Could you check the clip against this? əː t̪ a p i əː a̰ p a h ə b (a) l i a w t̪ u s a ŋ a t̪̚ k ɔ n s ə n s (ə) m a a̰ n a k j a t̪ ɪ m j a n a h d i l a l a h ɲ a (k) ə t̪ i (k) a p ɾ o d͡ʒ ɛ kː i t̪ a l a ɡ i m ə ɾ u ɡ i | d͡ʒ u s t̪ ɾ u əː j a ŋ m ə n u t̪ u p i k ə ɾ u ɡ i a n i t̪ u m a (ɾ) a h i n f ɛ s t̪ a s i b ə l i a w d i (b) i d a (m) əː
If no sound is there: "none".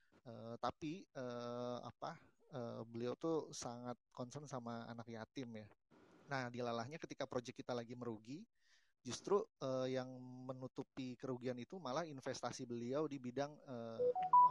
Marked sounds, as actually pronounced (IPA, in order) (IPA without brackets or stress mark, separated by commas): ə, a, k, k, l, b, ŋ